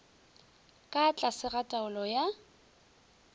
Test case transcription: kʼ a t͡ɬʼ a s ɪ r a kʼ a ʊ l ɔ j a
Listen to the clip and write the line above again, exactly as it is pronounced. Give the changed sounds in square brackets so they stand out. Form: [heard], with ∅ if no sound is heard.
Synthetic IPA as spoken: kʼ a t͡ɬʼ a s ɪ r a [tʼ] a ʊ l ɔ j a